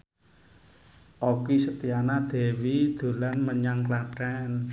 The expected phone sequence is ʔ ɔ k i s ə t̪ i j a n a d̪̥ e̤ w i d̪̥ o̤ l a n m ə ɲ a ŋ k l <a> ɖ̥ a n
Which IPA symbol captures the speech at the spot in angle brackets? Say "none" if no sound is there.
a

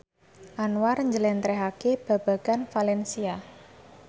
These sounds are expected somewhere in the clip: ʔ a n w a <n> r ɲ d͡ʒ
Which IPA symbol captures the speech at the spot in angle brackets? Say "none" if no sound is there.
none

